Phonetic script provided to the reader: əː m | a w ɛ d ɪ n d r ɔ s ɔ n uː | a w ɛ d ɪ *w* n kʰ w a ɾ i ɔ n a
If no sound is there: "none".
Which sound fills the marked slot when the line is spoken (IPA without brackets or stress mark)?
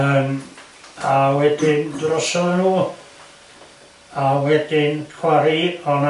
none